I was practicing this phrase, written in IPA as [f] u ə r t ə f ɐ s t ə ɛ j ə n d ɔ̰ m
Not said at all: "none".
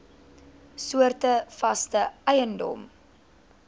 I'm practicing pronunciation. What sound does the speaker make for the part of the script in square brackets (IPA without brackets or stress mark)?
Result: s